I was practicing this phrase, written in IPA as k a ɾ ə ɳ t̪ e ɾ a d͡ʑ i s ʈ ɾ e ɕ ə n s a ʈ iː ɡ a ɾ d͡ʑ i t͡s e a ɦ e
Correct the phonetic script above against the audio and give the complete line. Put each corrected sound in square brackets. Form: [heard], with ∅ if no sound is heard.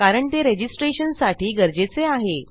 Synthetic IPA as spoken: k a ɾ ə ɳ t̪ e ɾ [e] d͡ʑ i s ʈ ɾ e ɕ ə n s a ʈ iː ɡ [ə] ɾ d͡ʑ [e] t͡s e a ɦ e

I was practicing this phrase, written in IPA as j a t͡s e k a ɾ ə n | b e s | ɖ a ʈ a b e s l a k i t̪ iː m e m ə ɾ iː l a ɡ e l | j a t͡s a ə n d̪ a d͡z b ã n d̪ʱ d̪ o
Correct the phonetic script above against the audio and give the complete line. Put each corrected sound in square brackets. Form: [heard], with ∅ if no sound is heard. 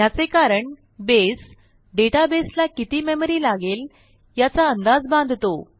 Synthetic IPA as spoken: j a t͡s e k a ɾ ə [ɳ] | b e s | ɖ [e] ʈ a b e s l a k i t̪ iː m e m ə ɾ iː l a ɡ e l | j a t͡s a ə n d̪ a d͡z b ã n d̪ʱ [t̪] o

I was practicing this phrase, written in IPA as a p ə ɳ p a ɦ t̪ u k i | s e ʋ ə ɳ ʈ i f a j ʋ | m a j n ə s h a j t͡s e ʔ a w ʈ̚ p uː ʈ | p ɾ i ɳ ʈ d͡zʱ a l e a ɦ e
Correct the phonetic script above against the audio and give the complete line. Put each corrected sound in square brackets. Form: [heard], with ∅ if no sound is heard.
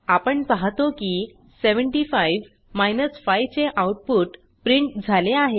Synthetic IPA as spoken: a p ə ɳ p a ɦ t̪ [o] k i | s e ʋ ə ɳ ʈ i f a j ʋ | m a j n ə s [f] a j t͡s e ʔ a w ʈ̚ p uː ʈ | p ɾ i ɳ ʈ d͡zʱ a l e a ɦ e

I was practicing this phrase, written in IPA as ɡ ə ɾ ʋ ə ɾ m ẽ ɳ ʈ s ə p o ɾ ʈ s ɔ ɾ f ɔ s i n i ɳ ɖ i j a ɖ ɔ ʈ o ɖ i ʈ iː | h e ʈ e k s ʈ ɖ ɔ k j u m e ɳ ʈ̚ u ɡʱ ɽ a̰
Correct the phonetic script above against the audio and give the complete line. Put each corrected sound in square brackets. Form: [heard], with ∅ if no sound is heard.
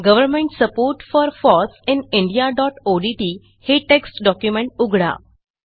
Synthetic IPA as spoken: ɡ ə [∅] ʋ ə ɾ m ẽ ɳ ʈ s ə p o ɾ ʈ [f] ɔ ɾ f ɔ s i n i ɳ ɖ i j a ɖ ɔ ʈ o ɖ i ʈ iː | h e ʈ e k s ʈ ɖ ɔ k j u m e ɳ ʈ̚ u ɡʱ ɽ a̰

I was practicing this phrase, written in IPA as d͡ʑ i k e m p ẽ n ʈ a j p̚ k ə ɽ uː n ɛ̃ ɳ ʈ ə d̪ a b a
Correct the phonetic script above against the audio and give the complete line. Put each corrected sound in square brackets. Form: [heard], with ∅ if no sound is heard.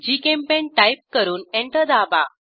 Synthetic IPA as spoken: d͡ʑ i k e m p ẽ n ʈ a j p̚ k ə [ɾ] uː n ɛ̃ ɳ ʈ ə d̪ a b a

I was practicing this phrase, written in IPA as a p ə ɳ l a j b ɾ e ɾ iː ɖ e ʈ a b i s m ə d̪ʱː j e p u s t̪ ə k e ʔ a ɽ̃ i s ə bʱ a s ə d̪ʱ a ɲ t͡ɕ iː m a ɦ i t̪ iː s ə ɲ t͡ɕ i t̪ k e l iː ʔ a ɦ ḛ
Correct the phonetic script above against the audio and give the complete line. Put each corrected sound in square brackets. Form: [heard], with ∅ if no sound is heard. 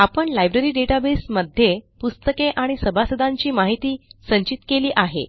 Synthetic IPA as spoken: a p ə ɳ l a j b ɾ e ɾ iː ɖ e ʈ a b [e] s m ə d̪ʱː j e p u s t̪ ə k e ʔ a ɽ̃ i s ə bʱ a s ə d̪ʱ a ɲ t͡ɕ iː m a ɦ i t̪ iː s ə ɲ t͡ɕ i t̪ k e l iː ʔ a ɦ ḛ

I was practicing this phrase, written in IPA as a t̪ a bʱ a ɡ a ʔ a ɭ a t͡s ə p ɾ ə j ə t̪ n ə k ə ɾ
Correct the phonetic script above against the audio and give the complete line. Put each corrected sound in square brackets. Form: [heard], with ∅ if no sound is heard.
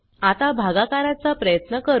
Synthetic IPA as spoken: a t̪ a bʱ a ɡ a [k] a [ɾ] a t͡s [a] p ɾ ə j ə t̪ n ə k ə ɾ

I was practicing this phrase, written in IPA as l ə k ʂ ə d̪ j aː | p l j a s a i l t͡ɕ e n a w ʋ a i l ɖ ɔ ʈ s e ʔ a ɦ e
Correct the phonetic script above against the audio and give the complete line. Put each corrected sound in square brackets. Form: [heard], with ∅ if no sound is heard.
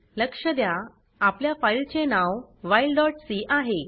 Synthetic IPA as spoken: l ə k ʂ ə d̪ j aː | p l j a [f] a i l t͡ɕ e n a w ʋ a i l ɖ ɔ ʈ s [i] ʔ a ɦ e

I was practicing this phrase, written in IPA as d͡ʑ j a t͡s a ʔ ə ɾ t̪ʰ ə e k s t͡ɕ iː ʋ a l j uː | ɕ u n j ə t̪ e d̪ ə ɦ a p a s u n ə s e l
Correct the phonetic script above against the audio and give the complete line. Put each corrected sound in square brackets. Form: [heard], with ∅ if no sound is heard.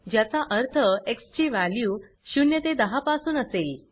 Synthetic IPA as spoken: d͡ʑ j a t͡s a ʔ ə ɾ t̪ʰ ə e k s t͡ɕ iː ʋ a l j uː | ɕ u n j ə t̪ e d̪ ə ɦ a p a s [uː] n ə s e l

